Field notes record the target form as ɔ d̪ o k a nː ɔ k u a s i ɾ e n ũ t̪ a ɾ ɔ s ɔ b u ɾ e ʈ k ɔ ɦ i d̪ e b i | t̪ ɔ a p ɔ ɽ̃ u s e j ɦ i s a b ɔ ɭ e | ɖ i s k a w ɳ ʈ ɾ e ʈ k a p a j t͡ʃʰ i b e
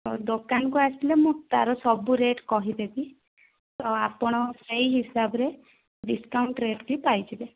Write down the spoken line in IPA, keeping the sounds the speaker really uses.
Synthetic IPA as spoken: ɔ d̪ o k a n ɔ k u a s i l e m ũ t̪ a ɾ ɔ s ɔ b u ɾ e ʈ k ɔ ɦ i d̪ e b i | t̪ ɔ a p ɔ ɽ̃ ɔ s e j ɦ i s a b ɔ ɾ e | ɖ i s k a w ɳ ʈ ɾ e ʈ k i p a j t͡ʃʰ i b e